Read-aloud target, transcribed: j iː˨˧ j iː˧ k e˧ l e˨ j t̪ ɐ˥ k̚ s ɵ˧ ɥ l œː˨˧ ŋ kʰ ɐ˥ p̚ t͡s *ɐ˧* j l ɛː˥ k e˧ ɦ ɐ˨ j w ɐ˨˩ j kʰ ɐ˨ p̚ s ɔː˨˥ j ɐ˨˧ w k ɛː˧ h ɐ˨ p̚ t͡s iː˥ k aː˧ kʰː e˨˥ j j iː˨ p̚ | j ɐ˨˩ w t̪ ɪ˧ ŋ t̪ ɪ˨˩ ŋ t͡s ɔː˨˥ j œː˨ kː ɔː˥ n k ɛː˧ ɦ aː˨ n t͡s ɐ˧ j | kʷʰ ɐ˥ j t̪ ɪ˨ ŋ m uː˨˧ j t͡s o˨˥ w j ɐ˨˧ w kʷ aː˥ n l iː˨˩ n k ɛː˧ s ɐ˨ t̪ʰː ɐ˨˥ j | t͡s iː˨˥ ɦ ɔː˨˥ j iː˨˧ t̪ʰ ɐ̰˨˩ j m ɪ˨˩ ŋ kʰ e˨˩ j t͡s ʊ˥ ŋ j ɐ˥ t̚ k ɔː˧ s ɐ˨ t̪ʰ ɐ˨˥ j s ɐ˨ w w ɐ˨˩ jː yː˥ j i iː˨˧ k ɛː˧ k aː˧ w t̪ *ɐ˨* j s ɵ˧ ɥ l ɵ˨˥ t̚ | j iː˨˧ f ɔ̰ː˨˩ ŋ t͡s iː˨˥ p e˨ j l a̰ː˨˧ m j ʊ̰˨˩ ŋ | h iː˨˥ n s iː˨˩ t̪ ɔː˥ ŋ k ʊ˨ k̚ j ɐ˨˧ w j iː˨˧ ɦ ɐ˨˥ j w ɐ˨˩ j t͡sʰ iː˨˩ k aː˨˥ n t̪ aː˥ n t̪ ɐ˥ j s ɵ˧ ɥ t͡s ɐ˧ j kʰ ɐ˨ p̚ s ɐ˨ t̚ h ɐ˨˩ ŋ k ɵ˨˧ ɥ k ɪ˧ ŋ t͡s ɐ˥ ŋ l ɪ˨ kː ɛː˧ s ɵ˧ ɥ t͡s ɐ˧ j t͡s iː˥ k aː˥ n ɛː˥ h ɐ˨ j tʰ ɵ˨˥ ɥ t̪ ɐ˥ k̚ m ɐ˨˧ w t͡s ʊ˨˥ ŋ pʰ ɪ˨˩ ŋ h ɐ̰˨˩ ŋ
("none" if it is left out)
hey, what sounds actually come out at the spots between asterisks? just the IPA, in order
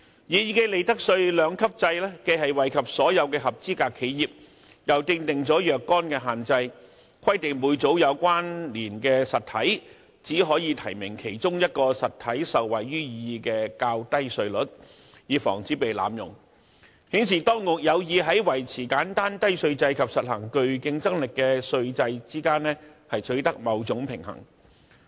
ɐ˧, ɐ˥

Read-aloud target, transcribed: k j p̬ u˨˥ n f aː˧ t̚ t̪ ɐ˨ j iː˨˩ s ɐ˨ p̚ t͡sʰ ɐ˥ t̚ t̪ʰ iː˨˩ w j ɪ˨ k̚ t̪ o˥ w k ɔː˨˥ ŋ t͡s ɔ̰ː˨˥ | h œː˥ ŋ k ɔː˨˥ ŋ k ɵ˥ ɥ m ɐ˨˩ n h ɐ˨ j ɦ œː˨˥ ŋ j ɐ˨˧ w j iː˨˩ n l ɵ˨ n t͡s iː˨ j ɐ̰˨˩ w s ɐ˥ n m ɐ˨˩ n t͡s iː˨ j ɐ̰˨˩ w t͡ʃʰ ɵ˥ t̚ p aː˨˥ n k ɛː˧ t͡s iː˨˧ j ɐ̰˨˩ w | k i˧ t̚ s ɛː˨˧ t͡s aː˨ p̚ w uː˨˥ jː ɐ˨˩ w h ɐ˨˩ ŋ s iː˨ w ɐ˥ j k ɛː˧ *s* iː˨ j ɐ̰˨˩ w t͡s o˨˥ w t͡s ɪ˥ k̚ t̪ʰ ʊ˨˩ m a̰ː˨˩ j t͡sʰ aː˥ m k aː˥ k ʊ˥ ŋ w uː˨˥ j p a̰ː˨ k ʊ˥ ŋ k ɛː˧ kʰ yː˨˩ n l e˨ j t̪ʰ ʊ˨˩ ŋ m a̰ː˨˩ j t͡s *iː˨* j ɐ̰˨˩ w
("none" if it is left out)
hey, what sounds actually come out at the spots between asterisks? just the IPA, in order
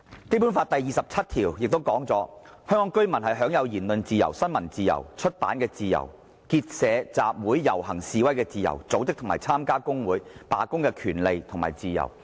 t͡s, iː˨

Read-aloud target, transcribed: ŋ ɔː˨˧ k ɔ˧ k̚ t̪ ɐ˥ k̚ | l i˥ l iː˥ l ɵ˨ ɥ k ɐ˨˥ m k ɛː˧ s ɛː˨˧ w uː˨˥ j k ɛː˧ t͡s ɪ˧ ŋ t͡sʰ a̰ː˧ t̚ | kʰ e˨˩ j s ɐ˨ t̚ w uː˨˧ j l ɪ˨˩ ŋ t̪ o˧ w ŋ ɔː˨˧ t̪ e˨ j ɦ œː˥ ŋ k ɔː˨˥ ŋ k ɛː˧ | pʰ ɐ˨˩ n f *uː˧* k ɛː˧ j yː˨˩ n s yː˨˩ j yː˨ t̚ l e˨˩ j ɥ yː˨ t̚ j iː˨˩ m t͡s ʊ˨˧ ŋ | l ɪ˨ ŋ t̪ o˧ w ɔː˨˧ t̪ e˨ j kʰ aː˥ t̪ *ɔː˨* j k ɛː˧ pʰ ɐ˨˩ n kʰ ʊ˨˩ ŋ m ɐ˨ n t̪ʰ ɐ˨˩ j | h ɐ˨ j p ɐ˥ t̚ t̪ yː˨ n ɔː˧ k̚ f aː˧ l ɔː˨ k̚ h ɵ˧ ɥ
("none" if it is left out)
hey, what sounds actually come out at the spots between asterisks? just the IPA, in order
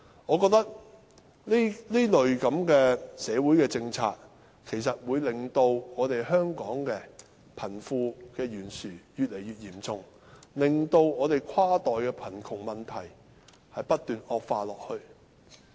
uː˧, ɔː˨

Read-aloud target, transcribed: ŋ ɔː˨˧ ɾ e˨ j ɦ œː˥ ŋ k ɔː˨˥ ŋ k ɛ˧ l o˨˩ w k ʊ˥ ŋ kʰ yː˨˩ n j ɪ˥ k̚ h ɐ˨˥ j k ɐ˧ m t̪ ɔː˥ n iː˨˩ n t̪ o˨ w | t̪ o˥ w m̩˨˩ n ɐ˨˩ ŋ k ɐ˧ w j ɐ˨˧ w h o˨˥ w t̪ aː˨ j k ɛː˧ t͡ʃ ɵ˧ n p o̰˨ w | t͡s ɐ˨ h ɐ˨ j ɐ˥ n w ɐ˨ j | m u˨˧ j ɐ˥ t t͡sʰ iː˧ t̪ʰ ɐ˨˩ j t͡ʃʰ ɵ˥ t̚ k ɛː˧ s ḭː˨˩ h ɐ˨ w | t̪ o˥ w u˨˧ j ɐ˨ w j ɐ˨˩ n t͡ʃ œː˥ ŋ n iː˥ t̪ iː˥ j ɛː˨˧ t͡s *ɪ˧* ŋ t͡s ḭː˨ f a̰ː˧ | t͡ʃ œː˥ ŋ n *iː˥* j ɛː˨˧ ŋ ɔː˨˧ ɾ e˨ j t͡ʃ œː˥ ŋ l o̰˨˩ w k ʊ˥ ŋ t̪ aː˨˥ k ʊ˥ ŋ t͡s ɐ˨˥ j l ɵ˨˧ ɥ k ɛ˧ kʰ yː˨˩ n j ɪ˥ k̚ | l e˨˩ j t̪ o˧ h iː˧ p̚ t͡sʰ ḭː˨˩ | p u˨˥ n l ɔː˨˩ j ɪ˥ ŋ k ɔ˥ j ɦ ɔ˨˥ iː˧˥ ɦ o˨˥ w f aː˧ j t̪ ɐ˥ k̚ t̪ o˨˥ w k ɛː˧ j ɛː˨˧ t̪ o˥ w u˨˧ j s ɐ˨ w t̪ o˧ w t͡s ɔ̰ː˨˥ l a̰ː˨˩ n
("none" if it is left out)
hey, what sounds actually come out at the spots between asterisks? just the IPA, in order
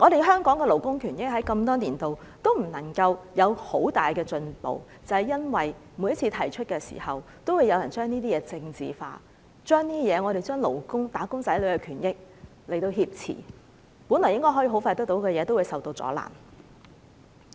ɪ˧, iː˥

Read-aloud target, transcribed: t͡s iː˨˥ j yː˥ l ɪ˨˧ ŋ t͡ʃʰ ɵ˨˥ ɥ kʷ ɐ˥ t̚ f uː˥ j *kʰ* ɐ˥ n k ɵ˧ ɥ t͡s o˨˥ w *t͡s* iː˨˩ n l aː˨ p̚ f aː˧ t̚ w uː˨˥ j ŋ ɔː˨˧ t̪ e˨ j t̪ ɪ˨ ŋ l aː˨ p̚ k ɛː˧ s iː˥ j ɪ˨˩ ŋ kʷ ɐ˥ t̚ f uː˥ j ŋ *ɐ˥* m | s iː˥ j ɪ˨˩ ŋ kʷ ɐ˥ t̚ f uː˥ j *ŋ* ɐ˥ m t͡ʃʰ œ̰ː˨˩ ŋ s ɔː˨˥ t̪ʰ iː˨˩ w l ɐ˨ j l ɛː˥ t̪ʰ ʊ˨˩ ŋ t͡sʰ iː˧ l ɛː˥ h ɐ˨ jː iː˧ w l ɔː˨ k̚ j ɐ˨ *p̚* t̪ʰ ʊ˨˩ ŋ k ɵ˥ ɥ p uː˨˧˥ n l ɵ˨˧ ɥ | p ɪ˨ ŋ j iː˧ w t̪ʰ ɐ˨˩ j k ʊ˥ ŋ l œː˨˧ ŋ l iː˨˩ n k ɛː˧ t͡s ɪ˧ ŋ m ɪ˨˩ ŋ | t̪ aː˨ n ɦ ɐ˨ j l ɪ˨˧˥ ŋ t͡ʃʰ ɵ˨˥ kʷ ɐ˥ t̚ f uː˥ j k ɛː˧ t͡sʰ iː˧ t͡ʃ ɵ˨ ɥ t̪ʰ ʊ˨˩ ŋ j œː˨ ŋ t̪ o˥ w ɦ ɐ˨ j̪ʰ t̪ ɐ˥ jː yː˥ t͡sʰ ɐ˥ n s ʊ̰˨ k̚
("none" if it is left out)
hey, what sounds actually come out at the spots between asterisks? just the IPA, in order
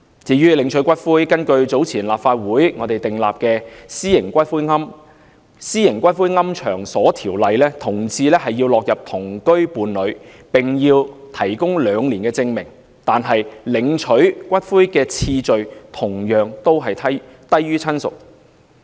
k, t͡sʰ, ɐ˥, ŋ, p̚

